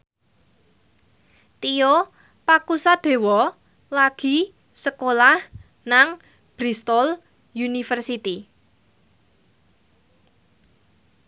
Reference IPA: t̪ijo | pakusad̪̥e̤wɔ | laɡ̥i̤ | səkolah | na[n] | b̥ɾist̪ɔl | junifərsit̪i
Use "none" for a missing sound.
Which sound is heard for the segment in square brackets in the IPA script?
ŋ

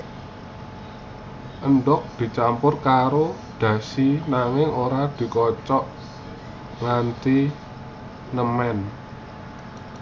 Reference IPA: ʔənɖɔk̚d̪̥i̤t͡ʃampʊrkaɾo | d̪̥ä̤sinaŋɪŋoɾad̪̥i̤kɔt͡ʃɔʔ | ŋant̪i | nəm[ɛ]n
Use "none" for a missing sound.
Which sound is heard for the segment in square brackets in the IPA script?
ɛ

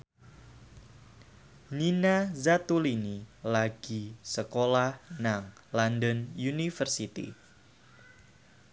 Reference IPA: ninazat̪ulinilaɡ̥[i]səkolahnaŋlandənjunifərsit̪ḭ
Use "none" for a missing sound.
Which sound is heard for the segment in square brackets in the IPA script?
i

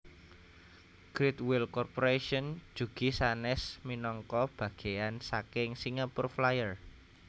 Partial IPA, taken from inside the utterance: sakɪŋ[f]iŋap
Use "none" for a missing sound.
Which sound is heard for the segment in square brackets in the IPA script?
s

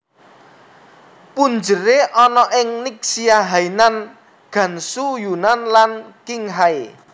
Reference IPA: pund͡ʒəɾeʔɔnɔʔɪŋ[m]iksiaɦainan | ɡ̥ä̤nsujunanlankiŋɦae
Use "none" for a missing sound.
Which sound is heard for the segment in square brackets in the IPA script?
n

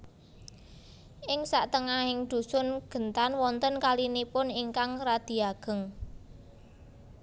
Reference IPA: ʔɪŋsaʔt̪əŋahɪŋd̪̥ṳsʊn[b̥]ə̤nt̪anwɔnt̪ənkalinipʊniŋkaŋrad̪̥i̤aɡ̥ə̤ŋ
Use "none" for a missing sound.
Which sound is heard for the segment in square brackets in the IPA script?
ɡ̥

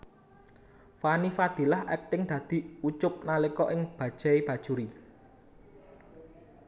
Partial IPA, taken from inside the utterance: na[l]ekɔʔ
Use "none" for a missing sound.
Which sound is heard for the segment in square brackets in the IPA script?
l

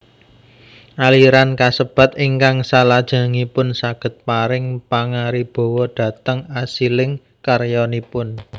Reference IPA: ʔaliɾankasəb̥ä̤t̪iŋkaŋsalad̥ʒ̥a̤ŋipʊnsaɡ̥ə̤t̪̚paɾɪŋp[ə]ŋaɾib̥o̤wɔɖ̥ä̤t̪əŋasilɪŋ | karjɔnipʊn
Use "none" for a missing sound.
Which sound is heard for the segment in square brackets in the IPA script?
a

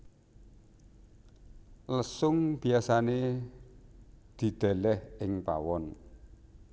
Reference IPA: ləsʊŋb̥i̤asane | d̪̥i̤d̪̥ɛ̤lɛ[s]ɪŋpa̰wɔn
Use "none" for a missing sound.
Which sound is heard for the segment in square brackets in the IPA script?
h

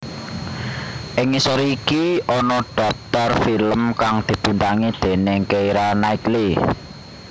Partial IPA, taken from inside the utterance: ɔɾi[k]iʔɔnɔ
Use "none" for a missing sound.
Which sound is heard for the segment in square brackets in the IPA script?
k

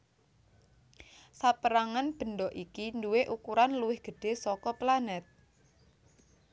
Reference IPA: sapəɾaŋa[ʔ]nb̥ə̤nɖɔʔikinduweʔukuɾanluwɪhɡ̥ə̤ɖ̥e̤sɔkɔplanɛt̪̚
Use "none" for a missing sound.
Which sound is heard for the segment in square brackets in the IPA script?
none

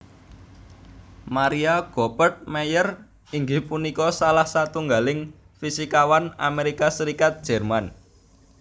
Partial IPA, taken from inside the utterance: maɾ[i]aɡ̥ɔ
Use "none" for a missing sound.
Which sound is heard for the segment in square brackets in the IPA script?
i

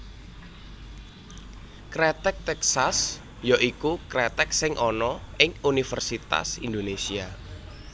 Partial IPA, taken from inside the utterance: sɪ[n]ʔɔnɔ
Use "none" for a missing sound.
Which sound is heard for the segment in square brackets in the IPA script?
ŋ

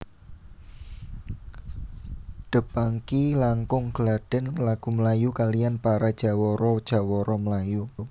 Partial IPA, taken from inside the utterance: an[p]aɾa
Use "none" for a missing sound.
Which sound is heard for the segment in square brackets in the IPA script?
p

